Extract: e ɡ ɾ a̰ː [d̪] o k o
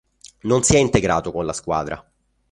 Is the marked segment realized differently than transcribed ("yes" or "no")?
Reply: yes